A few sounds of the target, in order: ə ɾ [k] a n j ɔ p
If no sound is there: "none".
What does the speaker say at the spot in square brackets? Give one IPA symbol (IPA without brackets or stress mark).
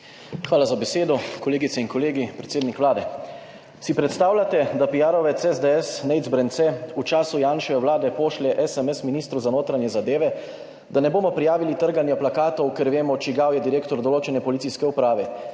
ɡ